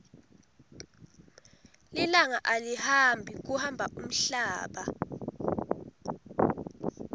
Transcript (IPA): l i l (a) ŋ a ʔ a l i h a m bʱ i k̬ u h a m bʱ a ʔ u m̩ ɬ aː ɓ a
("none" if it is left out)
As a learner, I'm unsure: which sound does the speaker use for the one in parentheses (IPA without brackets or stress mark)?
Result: a